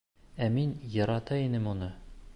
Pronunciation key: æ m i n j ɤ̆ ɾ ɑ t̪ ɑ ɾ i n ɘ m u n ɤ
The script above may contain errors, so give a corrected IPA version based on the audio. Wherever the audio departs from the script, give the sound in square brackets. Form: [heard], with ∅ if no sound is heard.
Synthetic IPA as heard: æ m i n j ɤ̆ ɾ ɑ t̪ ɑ [∅] i n ɘ m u n ɤ